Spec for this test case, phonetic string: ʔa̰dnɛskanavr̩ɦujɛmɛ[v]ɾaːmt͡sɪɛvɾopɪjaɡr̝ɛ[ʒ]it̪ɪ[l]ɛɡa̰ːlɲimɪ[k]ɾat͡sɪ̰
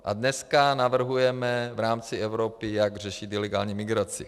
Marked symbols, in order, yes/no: yes, no, yes, no

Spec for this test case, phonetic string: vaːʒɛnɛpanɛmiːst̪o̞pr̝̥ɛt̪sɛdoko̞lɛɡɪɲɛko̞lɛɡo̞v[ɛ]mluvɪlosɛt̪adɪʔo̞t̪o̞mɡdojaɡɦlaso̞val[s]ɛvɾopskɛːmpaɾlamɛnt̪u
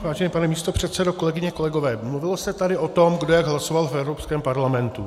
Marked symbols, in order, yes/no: no, no

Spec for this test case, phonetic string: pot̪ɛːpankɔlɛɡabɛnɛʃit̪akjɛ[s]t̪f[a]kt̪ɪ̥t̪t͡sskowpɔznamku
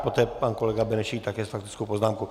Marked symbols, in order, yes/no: yes, yes

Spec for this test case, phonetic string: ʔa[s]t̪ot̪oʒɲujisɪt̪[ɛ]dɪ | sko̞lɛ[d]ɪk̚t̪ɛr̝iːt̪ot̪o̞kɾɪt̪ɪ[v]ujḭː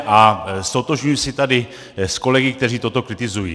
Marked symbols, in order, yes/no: yes, no, no, no

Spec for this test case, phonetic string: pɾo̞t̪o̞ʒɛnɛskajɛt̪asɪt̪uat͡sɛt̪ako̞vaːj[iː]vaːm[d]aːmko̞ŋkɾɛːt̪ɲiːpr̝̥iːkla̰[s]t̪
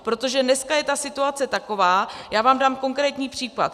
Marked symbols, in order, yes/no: no, yes, no

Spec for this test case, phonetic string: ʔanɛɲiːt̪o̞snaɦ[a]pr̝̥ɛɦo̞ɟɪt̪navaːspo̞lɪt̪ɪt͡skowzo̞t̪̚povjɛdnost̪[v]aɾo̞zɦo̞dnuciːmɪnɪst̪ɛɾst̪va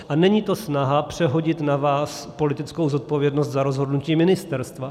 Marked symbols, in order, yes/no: yes, no

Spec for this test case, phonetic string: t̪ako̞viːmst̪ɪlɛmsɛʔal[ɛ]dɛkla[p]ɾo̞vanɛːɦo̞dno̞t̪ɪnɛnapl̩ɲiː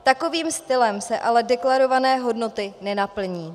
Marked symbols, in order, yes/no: yes, no

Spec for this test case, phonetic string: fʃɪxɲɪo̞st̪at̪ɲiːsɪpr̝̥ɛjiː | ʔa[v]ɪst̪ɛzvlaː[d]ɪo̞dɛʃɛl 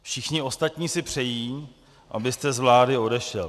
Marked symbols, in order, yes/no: no, yes

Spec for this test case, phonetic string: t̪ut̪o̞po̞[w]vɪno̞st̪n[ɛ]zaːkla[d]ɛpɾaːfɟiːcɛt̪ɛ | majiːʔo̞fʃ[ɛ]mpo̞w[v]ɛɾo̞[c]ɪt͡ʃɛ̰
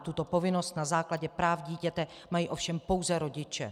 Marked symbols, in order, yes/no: no, no, no, yes, no, no

